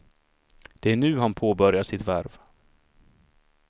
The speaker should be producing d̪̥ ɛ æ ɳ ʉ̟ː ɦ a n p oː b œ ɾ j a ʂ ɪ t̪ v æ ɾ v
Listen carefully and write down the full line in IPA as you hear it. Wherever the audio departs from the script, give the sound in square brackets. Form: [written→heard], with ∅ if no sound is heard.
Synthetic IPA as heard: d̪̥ ɛ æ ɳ ʉ̟ː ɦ a n [p→pʰ] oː b œ ɾ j a ʂ ɪ t̪ v æ ɾ v